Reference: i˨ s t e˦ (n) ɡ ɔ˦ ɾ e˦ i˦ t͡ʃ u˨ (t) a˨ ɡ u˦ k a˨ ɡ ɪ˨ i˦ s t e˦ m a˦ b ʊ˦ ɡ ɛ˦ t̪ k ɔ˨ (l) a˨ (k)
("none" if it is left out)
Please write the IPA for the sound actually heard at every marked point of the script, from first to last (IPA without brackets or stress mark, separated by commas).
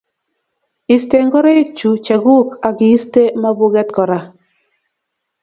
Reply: ŋ, t͡ʃ, ɾ, none